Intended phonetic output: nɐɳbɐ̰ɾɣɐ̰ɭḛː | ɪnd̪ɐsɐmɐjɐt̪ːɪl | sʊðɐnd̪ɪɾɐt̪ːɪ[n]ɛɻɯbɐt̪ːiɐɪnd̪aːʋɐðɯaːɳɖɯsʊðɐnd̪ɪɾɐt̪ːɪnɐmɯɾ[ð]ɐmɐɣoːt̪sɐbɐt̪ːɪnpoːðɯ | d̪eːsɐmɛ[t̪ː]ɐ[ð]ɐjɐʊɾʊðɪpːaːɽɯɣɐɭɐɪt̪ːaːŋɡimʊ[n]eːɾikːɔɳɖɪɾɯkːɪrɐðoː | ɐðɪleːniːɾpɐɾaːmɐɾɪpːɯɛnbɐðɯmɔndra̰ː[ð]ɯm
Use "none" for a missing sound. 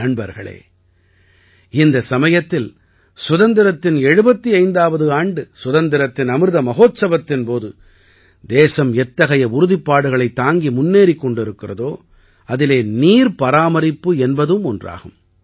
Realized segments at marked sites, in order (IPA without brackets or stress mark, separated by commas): n, ð, t̪ː, ɣ, nː, ɣ